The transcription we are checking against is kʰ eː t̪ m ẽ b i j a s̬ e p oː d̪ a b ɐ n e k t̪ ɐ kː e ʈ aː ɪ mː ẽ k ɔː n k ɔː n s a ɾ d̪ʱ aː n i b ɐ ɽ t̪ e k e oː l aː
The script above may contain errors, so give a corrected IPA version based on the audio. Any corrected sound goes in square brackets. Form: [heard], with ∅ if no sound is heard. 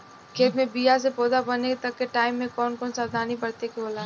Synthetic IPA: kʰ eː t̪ m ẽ b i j a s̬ e p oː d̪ a b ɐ n e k t̪ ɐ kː e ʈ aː ɪ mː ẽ k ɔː n k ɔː n s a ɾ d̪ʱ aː n i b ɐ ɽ t̪ e k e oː l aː

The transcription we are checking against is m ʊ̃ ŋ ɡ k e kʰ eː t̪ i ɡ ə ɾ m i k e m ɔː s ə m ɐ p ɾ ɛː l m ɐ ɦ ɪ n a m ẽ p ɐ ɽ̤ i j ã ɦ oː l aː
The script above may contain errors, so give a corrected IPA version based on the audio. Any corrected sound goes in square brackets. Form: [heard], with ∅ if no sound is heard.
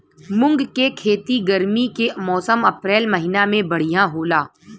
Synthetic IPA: m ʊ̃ ŋ ɡ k e kʰ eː t̪ i ɡ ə ɾ m i k e m ɔː s ə m ɐ p ɾ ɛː l m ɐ ɦ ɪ n a m ẽ [b] ɐ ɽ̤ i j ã ɦ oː l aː

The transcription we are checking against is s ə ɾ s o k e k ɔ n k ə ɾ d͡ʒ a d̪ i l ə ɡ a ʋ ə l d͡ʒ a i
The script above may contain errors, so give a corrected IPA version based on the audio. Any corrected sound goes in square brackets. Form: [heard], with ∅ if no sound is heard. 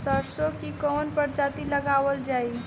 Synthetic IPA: s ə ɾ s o k [i] k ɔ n [p] ə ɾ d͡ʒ a [t̪] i l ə ɡ a ʋ ə l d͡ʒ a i

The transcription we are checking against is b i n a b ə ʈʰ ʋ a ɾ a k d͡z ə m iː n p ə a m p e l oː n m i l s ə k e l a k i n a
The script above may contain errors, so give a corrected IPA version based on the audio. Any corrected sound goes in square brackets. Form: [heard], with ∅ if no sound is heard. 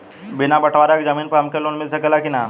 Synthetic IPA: b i n a b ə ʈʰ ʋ a ɾ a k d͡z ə m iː n p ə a m [k] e l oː n m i l s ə k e l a k i n a

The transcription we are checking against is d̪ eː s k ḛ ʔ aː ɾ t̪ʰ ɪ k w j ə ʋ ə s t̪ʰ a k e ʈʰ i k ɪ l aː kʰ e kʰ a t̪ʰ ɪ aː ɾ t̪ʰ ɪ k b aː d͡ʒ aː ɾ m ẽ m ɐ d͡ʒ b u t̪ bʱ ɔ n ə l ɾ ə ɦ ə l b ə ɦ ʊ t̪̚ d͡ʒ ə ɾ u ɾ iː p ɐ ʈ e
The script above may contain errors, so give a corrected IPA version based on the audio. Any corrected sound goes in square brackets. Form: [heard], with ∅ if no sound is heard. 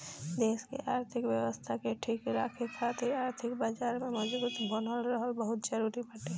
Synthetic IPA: d̪ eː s k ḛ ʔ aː ɾ t̪ʰ ɪ k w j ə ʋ ə s t̪ʰ a k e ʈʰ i k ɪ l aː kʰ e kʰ a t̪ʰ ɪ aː ɾ t̪ʰ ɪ k b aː d͡ʒ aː ɾ m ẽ m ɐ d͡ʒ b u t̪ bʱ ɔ n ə l ɾ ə ɦ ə l b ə ɦ ʊ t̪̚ d͡ʒ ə ɾ u ɾ [i] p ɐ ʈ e

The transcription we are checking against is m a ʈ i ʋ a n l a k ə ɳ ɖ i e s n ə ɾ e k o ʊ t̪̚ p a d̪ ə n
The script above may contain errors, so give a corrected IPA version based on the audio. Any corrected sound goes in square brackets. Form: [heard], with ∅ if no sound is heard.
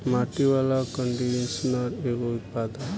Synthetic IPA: m a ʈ i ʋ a [∅] l a k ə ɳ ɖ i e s n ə ɾ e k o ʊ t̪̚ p a d̪ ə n

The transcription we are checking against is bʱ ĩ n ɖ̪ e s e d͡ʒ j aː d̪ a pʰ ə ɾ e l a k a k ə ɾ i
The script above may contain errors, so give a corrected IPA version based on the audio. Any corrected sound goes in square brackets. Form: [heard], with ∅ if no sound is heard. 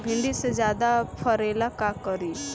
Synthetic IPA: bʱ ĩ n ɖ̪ [i] s e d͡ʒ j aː d̪ a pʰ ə ɾ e l a k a k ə ɾ i

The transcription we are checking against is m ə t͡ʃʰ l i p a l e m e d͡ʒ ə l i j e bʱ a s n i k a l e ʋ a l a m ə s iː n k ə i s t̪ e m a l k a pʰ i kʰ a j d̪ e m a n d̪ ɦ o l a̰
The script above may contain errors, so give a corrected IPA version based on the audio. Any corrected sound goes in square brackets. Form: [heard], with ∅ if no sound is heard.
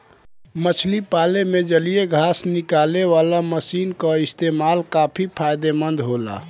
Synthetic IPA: m ə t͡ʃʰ l i p a l e m e d͡ʒ ə l i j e [ɡʱ] a s n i k a l e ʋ a l a m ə s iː n k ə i s t̪ e m a l k a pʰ i [pʰ] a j d̪ e m [ə] n d̪ ɦ o l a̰

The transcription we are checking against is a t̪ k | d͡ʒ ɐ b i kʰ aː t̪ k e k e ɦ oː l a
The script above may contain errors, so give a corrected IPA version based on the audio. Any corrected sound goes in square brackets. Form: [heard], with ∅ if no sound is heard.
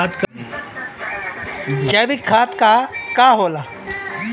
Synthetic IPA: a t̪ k | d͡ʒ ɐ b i kʰ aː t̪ k [a] k [a] ɦ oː l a

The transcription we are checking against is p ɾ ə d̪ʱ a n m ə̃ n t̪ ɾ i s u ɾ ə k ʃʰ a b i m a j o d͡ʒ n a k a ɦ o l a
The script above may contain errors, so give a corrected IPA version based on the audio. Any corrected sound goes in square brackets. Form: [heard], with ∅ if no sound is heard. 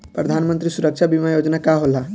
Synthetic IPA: p ɾ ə d̪ʱ a n m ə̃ n t̪ ɾ i s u ɾ ə k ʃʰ a b i m a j o d͡ʒ n a k a ɦ o l a

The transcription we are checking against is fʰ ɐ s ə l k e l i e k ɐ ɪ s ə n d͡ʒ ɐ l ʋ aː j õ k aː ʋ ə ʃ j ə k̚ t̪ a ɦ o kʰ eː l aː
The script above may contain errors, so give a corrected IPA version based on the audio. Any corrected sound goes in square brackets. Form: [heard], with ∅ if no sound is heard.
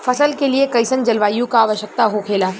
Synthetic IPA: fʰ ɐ s ə l k e l i e k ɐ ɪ s ə n d͡ʒ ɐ l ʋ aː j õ k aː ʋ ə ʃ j ə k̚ t̪ a ɦ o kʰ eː l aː

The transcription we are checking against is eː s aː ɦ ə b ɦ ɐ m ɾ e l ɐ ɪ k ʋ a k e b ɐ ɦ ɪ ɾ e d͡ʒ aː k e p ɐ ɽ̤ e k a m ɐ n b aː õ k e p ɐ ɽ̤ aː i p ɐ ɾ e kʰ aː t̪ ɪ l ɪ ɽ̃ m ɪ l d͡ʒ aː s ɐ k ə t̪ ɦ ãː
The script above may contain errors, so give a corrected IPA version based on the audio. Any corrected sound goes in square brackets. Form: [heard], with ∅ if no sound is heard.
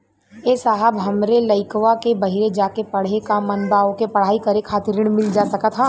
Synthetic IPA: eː s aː ɦ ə b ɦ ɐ m ɾ e l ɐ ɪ k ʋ a k e b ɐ ɦ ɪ ɾ e d͡ʒ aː k e p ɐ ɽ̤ e k a m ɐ n b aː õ k e p ɐ ɽ̤ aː i [k] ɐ ɾ e kʰ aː t̪ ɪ [ɾ] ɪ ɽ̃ m ɪ l d͡ʒ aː s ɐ k ə t̪ ɦ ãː

